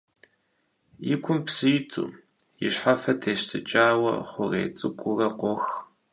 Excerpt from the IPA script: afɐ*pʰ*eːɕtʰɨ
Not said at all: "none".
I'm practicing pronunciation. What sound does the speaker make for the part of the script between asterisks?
tʰ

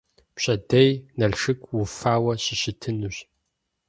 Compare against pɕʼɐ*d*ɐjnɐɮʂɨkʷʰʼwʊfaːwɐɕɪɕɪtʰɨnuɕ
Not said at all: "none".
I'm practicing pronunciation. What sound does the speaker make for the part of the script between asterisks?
d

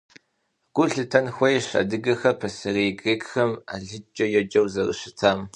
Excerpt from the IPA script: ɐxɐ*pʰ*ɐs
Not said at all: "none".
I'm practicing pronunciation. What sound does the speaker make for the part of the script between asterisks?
pʰ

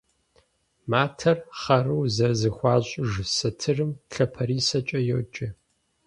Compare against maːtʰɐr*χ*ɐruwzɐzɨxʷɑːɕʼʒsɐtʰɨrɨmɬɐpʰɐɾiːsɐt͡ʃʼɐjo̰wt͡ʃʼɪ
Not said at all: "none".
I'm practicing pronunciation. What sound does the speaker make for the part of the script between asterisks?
χ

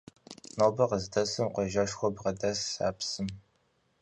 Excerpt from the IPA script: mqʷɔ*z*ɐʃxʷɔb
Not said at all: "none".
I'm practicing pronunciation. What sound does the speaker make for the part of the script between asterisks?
ʒ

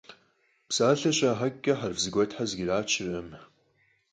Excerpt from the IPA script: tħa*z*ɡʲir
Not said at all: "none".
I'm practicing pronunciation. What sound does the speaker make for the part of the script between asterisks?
z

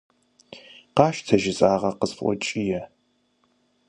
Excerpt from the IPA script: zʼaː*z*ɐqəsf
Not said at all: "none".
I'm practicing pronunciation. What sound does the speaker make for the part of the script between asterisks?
ʁ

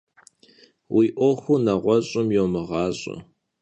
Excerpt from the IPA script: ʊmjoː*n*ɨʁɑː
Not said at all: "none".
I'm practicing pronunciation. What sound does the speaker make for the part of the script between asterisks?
m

